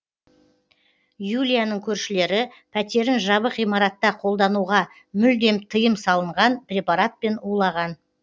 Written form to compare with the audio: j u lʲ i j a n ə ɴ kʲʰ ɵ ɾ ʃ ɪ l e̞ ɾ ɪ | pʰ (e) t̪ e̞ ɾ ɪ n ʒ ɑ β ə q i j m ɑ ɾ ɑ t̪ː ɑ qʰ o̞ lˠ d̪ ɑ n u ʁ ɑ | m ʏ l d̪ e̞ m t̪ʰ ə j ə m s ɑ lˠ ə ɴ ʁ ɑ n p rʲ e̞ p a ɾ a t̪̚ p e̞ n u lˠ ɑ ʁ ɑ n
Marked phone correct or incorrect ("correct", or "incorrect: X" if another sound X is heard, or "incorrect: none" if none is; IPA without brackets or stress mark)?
incorrect: æ